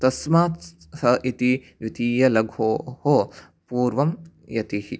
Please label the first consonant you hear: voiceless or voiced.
voiceless